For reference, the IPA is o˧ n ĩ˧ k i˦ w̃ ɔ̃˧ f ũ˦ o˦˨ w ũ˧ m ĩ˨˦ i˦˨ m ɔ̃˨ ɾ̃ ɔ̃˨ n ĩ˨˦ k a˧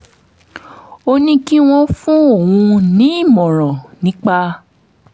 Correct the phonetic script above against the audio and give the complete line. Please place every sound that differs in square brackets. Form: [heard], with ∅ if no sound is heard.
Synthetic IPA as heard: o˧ n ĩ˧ k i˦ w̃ ɔ̃˧ f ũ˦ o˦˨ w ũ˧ [n] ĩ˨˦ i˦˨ m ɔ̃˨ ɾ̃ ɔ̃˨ n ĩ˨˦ [k͡p] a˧